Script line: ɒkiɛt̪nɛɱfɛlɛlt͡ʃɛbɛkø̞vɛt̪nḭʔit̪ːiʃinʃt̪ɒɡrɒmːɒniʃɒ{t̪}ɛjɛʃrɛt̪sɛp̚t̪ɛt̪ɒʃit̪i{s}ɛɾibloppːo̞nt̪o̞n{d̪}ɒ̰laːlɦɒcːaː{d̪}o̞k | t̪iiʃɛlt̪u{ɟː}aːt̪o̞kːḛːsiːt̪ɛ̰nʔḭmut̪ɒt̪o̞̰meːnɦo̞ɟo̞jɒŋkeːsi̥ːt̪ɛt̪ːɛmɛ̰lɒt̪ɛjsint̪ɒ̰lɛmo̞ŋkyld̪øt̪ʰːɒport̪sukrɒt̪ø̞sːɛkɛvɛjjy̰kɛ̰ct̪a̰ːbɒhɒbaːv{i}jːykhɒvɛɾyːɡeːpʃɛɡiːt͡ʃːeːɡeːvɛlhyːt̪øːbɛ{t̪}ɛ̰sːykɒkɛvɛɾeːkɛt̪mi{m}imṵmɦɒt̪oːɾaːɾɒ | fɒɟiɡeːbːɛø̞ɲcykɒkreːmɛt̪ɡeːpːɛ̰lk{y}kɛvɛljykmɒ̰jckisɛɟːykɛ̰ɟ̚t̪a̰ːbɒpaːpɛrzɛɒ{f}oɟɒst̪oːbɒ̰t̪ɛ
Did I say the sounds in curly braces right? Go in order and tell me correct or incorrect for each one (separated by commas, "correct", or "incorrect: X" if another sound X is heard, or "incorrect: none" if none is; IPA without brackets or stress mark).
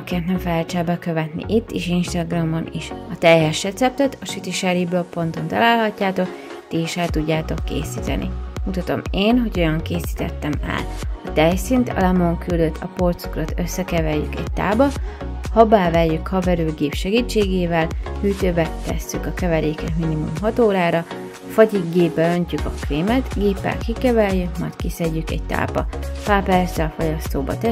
correct, incorrect: ʃ, incorrect: t̪, incorrect: t̪, correct, incorrect: ɛ, correct, incorrect: n, incorrect: i, correct